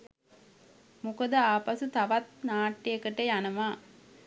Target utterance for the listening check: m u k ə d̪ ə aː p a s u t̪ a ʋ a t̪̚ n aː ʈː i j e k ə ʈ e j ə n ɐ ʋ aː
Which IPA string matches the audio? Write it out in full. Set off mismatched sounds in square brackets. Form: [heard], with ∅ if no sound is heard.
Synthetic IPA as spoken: m u k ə d̪ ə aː p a s u t̪ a ʋ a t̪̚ n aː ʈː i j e k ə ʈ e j [a] n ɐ ʋ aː